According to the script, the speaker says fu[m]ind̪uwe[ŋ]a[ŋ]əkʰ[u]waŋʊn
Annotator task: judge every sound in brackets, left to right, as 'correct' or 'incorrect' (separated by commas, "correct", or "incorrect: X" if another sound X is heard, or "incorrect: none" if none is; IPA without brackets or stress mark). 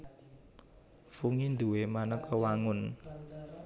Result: incorrect: ŋ, incorrect: m, incorrect: n, incorrect: ɔ